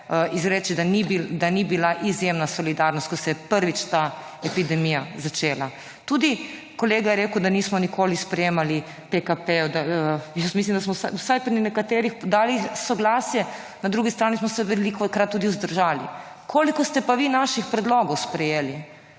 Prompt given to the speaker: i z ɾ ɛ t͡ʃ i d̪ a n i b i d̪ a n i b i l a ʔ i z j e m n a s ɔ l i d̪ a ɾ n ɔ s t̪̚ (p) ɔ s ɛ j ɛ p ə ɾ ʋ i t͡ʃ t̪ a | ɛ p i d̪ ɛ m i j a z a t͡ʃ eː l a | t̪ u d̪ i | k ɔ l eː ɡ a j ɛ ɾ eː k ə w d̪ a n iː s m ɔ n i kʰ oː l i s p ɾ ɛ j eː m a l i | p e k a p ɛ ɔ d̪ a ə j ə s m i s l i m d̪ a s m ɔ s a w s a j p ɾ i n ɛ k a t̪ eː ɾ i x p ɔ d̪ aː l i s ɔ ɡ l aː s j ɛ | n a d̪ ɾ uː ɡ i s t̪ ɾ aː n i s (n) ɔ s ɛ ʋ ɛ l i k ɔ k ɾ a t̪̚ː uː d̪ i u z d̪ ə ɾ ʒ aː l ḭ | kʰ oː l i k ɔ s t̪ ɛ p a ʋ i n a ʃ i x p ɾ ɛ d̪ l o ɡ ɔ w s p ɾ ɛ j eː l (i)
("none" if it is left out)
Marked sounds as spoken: k, m, i

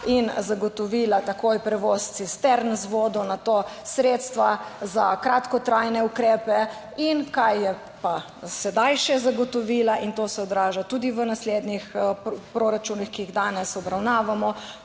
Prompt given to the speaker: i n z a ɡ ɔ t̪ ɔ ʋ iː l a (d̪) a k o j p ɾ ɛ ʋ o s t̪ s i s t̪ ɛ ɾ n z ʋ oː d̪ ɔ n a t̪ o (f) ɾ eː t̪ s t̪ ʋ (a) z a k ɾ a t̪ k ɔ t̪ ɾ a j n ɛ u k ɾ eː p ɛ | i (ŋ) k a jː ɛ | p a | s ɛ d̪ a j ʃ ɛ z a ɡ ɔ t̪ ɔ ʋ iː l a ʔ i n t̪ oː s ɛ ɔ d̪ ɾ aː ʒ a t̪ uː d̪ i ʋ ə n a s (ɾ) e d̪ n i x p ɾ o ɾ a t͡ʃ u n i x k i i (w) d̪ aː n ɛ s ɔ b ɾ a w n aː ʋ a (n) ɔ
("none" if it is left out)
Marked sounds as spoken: t̪, s, a, n, l, ɣ, m

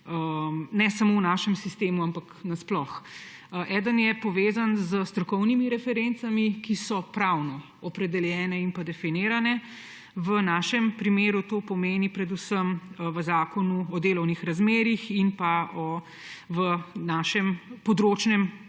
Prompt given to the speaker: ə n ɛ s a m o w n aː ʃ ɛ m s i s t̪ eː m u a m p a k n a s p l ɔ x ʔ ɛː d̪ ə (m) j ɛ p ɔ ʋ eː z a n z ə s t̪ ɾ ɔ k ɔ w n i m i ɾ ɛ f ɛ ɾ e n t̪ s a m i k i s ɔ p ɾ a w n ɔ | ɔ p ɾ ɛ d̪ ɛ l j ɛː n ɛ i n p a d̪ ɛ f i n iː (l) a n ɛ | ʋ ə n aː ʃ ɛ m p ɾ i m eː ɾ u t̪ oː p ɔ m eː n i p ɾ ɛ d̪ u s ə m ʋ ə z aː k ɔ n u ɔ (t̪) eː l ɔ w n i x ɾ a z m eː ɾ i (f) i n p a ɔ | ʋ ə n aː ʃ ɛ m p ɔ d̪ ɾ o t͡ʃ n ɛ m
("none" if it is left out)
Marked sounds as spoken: n, ɾ, d̪, x

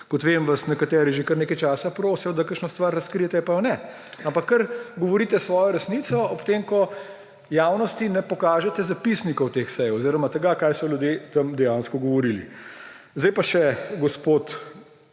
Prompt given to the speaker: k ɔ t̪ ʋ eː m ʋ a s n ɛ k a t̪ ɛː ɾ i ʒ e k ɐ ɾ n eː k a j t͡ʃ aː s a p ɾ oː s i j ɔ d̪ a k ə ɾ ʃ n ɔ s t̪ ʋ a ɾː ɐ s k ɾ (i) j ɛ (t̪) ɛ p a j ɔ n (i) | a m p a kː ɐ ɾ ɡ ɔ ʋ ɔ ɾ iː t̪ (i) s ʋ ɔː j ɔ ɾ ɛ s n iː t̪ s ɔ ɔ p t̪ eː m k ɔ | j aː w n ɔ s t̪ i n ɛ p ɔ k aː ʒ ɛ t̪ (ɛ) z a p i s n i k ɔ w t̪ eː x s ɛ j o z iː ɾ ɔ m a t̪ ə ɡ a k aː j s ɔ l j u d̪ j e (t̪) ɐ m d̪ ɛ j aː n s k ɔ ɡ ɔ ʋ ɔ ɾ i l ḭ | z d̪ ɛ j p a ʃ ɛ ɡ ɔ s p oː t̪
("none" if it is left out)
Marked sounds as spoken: i, t̪, ɛ, ɛ, ɛ, t̪

